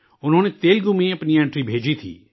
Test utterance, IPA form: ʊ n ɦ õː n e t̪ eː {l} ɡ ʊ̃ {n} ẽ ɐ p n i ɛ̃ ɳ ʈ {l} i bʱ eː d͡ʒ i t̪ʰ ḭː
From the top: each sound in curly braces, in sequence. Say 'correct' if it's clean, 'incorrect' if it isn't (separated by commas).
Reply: correct, incorrect, incorrect